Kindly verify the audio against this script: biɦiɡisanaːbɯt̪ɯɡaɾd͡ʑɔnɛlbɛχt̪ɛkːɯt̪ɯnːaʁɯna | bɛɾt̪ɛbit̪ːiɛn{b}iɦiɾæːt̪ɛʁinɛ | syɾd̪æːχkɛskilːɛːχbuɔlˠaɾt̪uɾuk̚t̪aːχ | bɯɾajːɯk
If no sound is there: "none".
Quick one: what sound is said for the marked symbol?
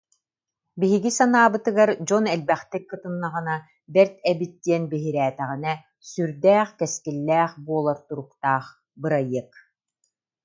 b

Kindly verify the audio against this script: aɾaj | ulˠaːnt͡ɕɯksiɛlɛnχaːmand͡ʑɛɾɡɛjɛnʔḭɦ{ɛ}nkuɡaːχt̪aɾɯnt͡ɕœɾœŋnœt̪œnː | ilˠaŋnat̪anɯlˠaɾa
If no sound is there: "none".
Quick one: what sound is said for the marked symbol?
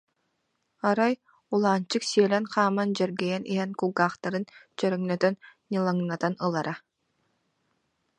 ɛ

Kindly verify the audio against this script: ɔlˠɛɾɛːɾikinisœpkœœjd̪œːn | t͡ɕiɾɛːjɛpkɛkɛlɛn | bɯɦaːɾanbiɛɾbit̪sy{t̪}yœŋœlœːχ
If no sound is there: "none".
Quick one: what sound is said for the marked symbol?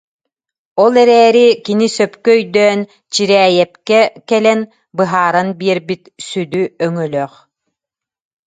d̪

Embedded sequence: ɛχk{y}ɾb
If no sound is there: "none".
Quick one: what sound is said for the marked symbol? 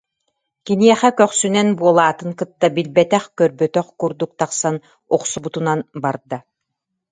œ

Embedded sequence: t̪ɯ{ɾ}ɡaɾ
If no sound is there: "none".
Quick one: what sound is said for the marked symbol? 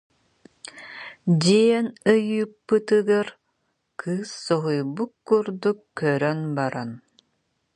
none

